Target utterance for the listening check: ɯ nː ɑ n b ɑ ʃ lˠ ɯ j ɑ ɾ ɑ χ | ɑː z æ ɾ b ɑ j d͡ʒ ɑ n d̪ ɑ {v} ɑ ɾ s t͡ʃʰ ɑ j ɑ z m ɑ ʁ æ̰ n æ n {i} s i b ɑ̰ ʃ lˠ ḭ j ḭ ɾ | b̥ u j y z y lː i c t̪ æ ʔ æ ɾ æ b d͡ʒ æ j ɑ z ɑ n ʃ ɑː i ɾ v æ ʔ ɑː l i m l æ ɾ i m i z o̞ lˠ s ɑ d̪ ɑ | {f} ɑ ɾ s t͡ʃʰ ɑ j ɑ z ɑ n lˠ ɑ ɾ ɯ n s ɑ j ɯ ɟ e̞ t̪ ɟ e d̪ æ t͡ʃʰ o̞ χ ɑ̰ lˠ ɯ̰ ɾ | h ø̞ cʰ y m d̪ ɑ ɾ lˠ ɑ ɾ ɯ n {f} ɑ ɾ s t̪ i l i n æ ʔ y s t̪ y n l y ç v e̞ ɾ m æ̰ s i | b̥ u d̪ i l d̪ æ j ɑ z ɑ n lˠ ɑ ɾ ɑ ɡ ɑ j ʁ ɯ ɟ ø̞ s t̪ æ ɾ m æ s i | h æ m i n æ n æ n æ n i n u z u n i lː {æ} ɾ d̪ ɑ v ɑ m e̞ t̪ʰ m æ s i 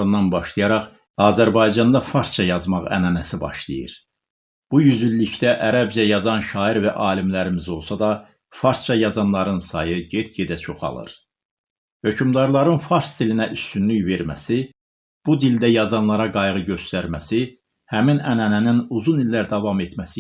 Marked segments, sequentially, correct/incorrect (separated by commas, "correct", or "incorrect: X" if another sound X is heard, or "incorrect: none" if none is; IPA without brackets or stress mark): incorrect: f, incorrect: æ, correct, correct, correct